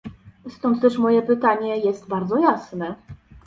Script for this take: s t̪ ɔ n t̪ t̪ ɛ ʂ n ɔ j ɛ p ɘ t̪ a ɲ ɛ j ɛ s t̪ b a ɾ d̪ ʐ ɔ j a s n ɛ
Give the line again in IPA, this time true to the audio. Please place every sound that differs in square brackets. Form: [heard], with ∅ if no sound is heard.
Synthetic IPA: s t̪ ɔ n t̪ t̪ ɛ ʂ [m] ɔ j ɛ p ɘ t̪ a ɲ ɛ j ɛ s t̪ b a ɾ d̪ [z] ɔ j a s n ɛ